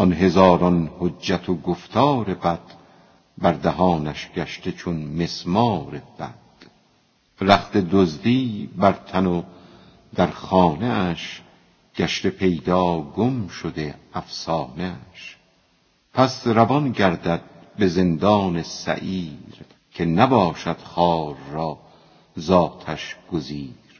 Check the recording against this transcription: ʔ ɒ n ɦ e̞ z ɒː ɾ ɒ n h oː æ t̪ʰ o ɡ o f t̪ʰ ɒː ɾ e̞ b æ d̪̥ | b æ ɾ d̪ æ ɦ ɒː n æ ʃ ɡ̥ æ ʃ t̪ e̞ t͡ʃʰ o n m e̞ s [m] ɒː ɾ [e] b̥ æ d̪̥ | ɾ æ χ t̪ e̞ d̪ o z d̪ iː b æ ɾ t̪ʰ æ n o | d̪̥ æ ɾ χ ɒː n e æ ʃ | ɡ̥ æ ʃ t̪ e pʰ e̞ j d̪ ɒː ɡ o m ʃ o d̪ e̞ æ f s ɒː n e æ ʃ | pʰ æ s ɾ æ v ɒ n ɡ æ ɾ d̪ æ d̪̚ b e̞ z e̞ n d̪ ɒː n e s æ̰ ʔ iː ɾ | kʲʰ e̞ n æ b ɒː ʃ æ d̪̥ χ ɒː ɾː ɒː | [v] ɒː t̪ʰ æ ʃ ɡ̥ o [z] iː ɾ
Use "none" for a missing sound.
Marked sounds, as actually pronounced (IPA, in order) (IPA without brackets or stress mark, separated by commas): m, e, z, z